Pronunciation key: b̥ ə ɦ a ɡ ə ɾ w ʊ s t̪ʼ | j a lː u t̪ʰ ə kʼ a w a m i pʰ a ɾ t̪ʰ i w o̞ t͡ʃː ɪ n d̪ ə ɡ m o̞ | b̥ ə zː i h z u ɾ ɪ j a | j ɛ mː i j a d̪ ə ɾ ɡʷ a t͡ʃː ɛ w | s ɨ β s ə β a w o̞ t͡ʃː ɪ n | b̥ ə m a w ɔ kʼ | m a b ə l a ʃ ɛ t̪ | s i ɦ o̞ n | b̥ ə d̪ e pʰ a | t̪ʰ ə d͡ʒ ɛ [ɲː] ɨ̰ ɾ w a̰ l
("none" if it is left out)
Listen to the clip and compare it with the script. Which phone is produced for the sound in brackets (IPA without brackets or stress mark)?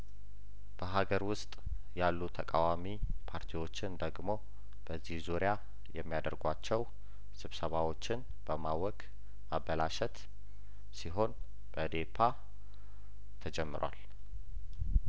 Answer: mː